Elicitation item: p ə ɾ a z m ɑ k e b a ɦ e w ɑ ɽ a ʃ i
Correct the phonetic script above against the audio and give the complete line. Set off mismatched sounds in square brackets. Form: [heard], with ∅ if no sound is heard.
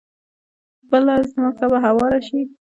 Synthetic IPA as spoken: [b] ə [l] a z m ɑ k [a] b a ɦ [a] w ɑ [ɾ] a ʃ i